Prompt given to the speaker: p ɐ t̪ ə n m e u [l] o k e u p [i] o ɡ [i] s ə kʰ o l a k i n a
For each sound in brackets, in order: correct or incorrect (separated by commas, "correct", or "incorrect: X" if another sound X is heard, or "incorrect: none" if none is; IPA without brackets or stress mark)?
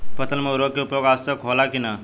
incorrect: ɾ, incorrect: j, incorrect: a